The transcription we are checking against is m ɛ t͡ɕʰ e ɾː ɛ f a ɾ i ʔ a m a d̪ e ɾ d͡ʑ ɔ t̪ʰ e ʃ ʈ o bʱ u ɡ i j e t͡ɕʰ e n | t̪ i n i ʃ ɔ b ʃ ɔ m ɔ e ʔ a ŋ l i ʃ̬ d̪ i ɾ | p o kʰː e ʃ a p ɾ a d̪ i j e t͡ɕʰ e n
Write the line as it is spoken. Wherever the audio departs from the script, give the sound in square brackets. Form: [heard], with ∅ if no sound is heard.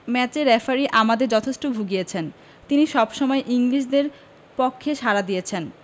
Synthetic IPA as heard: m ɛ [t͡ɕ] e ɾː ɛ f a ɾ i ʔ a m a d̪ e ɾ d͡ʑ ɔ t̪ʰ e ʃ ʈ o bʱ u ɡ i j e t͡ɕʰ e n | t̪ i n i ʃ ɔ b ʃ ɔ m ɔ e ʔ [i] ŋ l i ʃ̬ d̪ [e] ɾ | p o kʰː e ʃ a [∅] ɾ a d̪ i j e t͡ɕʰ e n